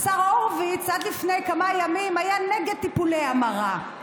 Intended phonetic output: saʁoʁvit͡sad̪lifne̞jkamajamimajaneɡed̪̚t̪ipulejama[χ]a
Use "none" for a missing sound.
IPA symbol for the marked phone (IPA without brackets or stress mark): ʁ